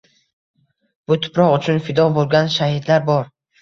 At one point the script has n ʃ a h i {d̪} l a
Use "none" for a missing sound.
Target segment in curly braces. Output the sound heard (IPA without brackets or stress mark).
d̪